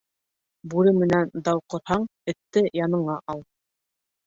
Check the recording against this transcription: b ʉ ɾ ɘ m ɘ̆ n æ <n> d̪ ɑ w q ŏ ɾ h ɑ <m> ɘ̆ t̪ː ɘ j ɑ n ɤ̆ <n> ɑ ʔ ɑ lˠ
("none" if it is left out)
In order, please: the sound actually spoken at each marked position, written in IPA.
n, ɴ, ɴ

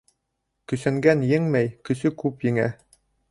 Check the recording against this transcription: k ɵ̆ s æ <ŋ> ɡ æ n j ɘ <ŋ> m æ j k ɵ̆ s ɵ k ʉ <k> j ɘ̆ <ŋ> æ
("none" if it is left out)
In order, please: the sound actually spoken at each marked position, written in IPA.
ŋ, ŋ, p, ŋ

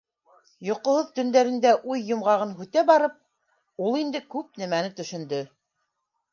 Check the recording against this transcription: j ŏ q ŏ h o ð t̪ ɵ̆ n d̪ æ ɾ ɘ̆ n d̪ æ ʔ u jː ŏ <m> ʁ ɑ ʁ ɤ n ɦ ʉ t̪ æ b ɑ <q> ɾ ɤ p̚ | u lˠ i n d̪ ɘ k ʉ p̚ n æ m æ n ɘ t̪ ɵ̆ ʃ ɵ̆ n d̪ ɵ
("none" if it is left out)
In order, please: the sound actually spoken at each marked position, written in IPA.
m, none

